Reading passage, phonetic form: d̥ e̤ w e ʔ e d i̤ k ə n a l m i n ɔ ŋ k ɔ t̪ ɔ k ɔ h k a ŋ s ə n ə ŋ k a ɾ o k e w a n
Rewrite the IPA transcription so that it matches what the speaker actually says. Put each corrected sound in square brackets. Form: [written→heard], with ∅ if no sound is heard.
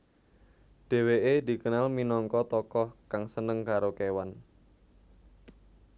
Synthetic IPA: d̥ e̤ w e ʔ e d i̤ k ə n a l m i n ɔ ŋ k ɔ t̪ ɔ k ɔ h k a ŋ s ə n ə ŋ k a ɾ o k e w a n